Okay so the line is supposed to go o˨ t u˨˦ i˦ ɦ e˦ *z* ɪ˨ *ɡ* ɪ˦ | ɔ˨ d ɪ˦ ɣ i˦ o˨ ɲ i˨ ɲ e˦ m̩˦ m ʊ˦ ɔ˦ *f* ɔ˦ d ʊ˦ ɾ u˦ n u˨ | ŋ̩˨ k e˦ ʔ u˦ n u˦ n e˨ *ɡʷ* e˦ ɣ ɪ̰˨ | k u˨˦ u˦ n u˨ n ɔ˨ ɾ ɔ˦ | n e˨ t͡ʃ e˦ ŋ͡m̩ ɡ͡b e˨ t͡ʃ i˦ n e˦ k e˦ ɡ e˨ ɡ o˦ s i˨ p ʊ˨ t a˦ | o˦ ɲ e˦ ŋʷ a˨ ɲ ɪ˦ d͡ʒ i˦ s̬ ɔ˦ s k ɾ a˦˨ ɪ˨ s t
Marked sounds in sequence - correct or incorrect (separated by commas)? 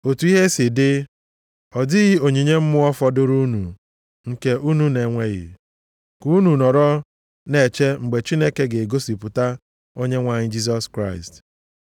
incorrect, incorrect, correct, incorrect